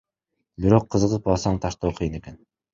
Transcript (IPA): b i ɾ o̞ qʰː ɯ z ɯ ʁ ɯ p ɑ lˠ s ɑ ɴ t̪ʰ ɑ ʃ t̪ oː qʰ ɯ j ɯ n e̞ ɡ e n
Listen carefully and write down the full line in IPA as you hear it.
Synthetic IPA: b i ɾ o̞ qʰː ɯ z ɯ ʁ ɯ p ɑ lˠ s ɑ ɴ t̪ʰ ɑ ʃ t̪ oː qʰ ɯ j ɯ n e̞ k e n